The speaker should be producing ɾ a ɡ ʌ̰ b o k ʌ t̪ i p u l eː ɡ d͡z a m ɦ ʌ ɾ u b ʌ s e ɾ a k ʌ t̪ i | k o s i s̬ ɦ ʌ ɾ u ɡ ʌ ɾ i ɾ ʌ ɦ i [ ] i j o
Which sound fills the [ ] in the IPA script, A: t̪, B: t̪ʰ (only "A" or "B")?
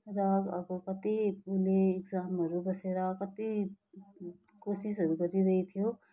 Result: B